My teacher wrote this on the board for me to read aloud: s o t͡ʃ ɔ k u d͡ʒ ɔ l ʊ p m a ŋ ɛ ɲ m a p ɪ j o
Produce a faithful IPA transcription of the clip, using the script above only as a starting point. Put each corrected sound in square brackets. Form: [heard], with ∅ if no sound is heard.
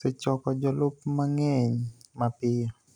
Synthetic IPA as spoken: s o t͡ʃ ɔ k [ɔ] d͡ʒ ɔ l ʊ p m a ŋ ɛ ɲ m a p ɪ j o